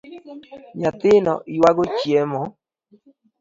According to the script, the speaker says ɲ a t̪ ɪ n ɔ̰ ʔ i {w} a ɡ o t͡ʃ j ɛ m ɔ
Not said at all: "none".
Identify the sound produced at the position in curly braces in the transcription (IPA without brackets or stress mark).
w